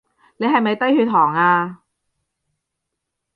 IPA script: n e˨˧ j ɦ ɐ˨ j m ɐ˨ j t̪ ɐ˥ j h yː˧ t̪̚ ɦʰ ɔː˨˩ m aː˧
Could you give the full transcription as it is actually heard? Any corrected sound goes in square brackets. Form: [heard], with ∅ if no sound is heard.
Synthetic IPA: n e˨˧ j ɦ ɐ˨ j m ɐ˨ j t̪ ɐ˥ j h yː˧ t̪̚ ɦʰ ɔː˨˩ [ŋ] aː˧